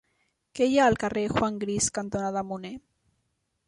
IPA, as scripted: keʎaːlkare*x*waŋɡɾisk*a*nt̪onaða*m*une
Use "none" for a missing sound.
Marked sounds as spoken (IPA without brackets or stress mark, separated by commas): x, a, m